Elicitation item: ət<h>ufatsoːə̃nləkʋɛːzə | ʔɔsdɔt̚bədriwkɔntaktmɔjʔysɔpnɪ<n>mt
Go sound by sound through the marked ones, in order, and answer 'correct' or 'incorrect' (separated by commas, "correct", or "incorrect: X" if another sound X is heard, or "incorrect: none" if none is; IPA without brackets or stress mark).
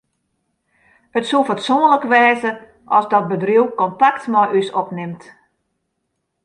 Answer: incorrect: s, incorrect: none